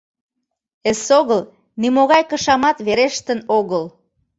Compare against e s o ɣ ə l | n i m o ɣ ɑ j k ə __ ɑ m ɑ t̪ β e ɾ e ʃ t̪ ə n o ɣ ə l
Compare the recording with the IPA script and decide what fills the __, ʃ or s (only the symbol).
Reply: ʃ